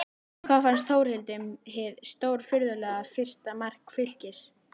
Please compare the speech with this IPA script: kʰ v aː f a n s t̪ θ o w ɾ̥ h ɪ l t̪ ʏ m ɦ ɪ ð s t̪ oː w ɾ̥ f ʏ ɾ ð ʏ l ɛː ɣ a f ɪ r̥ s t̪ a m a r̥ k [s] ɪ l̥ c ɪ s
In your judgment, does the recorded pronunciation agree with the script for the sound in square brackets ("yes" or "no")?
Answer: no